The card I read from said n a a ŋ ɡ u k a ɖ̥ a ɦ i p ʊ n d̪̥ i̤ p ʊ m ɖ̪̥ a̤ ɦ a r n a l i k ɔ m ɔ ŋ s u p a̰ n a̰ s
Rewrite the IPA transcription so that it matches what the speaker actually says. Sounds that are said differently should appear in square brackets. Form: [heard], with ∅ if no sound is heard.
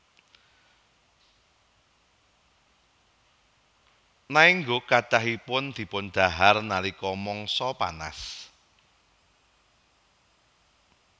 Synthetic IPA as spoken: n a [i] ŋ ɡ [o] k a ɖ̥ a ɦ i p ʊ n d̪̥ i̤ p ʊ [n] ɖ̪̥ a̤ ɦ a r n a l i k ɔ m ɔ ŋ s [ɔ] p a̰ n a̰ s